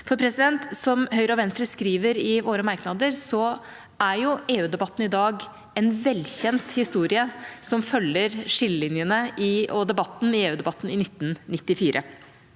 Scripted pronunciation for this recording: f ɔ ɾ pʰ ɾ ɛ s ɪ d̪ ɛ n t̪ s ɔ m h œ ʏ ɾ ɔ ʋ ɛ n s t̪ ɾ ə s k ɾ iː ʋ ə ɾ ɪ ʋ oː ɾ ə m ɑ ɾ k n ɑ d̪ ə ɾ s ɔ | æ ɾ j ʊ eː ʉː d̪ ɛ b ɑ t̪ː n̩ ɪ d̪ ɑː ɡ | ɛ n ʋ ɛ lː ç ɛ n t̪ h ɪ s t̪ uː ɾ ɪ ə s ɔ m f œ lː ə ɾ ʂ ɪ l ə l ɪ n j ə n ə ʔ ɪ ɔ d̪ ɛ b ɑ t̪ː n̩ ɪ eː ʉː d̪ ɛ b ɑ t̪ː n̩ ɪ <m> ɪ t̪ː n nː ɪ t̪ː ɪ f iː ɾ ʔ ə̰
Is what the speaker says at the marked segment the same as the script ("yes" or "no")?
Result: no